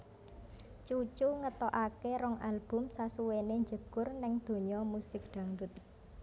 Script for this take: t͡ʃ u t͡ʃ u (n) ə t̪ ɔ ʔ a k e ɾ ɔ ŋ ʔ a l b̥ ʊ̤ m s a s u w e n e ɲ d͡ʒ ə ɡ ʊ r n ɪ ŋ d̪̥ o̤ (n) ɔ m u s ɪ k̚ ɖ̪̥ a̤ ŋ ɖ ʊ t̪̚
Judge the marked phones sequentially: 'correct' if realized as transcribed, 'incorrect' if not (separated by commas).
incorrect, incorrect